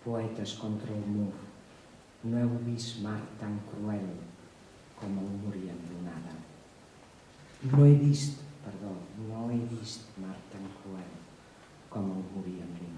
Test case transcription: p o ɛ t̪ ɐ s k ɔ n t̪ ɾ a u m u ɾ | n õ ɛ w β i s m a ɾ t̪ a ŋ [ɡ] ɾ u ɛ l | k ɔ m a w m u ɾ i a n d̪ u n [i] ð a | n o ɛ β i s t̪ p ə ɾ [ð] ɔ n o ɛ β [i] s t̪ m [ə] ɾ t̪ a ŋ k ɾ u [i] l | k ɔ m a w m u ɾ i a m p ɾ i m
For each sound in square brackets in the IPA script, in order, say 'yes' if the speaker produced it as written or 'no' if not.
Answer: no, no, yes, yes, no, no

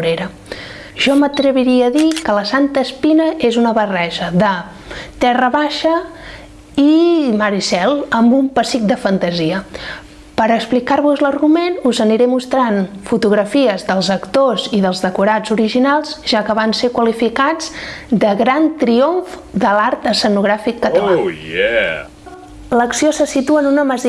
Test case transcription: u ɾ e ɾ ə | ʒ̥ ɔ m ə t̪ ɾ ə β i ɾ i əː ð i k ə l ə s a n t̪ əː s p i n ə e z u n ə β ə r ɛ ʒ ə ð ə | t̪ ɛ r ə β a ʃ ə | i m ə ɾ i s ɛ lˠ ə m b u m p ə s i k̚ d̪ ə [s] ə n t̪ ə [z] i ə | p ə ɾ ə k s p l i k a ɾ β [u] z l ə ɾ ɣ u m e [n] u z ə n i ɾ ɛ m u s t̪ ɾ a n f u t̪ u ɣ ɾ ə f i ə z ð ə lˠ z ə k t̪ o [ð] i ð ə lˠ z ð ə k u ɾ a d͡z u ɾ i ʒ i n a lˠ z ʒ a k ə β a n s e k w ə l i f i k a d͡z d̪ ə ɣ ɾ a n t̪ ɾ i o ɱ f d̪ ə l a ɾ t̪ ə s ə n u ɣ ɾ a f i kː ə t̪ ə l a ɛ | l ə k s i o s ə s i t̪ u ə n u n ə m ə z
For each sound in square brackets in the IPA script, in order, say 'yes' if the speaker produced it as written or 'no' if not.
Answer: no, yes, yes, yes, no

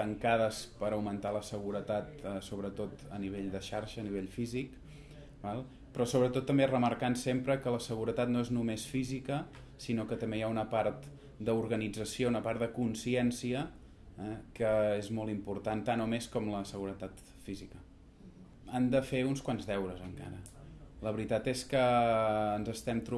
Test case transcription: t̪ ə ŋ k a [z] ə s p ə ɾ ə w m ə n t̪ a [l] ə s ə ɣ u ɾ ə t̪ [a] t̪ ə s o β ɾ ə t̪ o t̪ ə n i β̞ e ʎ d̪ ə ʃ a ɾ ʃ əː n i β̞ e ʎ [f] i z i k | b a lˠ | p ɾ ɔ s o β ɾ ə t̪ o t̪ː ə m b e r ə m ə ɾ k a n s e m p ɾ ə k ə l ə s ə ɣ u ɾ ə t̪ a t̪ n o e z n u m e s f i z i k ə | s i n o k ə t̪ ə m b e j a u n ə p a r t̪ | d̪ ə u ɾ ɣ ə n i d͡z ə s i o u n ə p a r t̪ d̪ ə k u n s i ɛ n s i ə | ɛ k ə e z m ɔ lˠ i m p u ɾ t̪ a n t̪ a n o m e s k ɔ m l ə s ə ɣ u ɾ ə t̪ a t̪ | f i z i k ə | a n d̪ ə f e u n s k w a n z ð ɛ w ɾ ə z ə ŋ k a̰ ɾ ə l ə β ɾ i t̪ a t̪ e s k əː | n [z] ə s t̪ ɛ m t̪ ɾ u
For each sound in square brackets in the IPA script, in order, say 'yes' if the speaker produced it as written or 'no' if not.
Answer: no, yes, yes, yes, yes

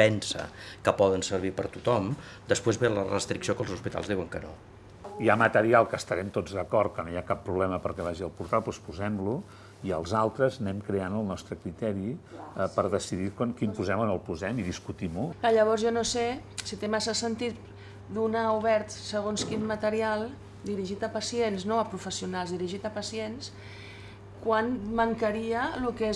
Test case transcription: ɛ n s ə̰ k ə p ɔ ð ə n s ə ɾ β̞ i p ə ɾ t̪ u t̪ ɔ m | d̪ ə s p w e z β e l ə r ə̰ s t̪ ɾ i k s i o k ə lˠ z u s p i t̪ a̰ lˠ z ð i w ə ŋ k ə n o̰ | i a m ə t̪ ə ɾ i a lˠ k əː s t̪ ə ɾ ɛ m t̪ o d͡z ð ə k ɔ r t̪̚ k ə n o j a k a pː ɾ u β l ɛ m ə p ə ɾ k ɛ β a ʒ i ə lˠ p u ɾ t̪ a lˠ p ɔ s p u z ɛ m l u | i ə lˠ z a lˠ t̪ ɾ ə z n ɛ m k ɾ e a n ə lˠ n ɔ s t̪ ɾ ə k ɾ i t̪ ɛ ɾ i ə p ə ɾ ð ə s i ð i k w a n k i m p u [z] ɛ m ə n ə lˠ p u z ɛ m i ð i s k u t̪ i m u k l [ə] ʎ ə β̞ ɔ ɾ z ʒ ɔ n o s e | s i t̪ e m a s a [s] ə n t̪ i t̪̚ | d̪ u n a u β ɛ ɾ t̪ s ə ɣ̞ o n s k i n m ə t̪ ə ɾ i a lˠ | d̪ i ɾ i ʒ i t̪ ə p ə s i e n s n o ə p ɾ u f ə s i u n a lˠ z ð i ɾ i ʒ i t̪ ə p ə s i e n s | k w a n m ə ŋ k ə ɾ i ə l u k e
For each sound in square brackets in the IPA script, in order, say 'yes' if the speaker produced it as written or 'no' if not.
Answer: yes, no, yes

